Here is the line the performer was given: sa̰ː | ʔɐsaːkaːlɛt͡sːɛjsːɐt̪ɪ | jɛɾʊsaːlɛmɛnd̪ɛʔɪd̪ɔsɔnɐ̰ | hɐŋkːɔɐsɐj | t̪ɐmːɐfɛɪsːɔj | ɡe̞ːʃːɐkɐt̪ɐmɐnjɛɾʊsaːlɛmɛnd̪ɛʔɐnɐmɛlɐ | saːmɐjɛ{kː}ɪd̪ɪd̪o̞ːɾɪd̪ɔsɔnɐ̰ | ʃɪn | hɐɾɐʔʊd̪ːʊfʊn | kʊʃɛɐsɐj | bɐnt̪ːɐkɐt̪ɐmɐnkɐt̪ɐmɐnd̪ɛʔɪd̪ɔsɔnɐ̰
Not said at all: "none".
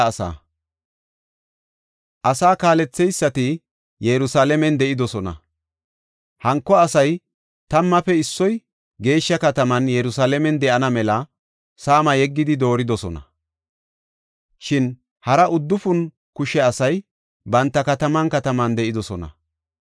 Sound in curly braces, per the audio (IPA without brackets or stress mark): ɡː